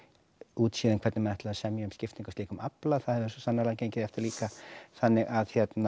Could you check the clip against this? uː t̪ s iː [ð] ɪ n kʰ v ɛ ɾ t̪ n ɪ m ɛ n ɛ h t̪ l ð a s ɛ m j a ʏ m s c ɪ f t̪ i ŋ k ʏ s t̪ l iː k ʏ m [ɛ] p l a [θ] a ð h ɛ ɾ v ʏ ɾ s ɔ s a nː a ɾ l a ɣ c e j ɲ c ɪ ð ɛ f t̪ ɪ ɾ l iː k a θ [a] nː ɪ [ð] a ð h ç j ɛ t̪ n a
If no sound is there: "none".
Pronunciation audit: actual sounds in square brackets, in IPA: ð, a, θ, a, ɣ

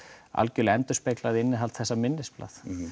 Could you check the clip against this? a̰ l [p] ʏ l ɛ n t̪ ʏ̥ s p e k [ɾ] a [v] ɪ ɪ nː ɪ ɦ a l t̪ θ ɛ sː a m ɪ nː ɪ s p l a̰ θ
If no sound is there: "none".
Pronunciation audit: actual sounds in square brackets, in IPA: c, l, ð

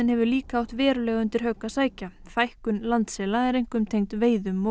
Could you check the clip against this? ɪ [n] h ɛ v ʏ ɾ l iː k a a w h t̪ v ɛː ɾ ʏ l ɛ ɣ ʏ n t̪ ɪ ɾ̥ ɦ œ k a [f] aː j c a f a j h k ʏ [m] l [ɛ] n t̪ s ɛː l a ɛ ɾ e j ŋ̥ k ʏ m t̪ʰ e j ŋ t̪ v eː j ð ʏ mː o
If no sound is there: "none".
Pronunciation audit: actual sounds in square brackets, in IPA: n, s, n, a

